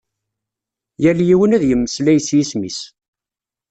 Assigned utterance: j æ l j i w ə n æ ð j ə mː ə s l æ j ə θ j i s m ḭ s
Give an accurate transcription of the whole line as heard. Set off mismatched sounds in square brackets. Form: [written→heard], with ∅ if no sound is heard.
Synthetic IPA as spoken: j æ l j i w ə n æ ð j ə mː ə s l æ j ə [θ→s] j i s m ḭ s